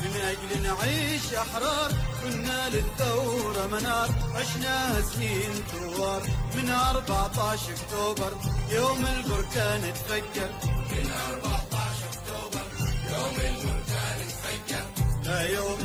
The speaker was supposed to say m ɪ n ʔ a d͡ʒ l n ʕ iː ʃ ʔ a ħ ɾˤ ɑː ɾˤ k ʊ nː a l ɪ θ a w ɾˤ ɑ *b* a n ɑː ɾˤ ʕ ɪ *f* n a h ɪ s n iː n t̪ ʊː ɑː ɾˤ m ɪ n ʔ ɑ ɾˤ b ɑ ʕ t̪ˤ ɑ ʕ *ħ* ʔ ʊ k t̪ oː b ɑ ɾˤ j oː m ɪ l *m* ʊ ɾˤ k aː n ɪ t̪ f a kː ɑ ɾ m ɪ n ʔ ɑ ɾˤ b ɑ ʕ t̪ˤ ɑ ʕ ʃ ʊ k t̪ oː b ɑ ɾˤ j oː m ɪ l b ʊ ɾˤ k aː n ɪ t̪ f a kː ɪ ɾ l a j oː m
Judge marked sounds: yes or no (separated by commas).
no, no, no, no